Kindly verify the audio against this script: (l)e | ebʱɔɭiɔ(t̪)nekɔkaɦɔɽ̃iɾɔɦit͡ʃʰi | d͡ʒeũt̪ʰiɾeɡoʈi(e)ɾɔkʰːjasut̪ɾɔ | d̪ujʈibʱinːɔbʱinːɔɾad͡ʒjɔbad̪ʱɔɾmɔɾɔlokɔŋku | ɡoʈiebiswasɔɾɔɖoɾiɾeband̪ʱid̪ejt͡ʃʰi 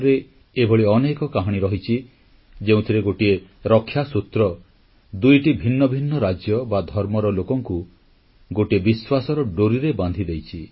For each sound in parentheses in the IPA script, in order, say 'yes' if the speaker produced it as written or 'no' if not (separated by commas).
no, no, yes